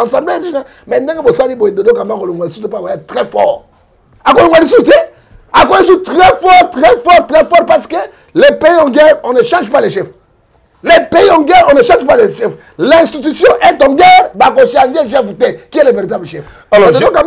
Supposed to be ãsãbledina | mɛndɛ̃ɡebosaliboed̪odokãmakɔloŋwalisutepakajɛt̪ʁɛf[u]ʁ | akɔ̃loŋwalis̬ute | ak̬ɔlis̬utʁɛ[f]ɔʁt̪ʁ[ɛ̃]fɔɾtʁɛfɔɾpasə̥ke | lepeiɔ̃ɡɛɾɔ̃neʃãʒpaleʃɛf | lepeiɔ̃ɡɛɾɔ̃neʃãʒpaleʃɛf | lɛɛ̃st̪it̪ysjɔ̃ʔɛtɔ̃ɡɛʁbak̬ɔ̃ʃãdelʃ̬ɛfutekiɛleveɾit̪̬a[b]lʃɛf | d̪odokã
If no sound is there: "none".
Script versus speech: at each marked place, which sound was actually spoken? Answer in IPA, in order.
ɔ, f, ɛ, b

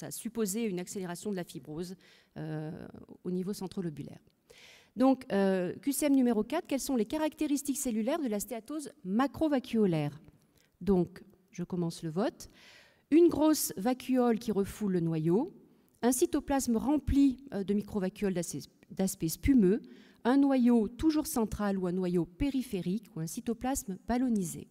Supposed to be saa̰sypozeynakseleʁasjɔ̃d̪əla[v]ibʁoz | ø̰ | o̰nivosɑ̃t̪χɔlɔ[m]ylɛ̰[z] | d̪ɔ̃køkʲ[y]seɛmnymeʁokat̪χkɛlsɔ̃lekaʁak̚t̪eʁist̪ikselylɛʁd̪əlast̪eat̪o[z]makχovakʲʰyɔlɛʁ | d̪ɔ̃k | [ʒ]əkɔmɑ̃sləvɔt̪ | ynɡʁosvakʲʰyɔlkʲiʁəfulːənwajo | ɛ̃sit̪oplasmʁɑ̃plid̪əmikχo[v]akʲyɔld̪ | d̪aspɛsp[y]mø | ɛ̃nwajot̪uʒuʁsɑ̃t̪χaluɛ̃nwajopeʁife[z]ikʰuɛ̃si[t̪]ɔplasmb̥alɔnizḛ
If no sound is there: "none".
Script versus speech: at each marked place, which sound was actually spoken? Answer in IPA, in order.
f, b, ʁ, y, z, ʒ, v, y, ʁ, t̪

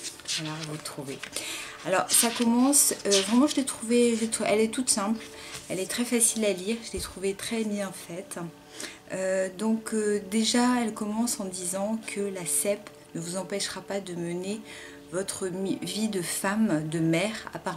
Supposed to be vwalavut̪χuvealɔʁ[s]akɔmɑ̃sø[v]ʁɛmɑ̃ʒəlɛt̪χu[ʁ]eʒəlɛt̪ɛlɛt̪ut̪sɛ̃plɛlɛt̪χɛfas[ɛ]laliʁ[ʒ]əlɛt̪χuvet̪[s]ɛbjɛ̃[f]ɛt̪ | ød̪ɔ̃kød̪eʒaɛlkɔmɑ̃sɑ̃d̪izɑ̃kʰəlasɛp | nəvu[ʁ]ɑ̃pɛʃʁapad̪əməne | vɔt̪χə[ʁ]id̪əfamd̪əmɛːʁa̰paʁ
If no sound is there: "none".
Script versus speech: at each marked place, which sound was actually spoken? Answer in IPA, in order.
s, v, v, i, ʒ, χ, f, z, v

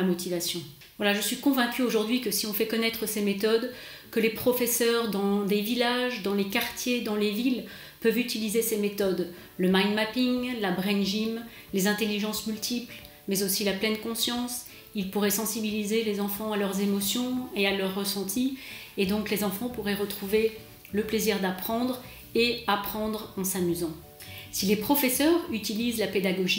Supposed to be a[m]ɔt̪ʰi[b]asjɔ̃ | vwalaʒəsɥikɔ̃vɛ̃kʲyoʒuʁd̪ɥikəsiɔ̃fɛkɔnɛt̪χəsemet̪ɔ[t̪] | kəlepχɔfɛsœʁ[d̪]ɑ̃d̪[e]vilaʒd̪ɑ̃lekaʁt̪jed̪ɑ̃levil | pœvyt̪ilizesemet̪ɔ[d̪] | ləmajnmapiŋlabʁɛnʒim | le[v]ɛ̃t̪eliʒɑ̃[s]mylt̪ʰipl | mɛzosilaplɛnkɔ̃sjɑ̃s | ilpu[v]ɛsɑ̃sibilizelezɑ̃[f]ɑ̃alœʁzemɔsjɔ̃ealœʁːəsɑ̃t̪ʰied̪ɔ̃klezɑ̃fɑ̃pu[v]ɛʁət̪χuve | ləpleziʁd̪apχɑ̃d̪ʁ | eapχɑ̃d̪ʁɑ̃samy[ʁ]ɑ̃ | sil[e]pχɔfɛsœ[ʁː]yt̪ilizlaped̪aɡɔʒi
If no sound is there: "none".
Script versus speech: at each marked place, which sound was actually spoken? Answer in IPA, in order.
m, v, d̪, d̪, e, d̪, z, s, ʁ, f, ʁ, z, e, ʁ

